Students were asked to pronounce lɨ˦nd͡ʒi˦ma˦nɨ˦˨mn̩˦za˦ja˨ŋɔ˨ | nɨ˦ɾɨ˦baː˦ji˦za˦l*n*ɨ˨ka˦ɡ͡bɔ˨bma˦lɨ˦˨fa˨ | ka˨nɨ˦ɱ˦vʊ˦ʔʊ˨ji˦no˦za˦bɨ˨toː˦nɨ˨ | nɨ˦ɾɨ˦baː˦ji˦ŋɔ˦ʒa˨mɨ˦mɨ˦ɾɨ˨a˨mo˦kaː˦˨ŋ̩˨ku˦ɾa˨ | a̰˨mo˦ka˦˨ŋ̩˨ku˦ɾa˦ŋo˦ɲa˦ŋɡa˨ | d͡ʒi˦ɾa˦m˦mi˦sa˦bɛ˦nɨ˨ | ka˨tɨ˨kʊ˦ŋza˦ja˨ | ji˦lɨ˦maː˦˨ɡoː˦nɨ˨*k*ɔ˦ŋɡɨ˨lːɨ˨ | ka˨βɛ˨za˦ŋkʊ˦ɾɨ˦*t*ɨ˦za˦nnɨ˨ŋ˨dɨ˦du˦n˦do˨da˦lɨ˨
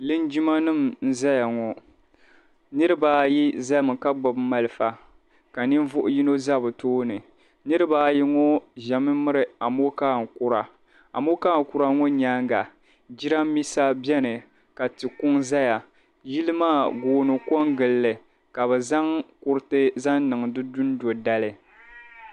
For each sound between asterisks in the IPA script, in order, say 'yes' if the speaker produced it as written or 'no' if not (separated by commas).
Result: no, yes, yes